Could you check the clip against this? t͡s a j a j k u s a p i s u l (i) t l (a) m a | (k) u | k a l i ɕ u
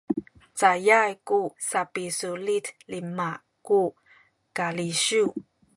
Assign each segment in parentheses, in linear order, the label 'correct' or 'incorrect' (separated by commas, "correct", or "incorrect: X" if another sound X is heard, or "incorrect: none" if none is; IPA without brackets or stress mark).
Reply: correct, incorrect: i, correct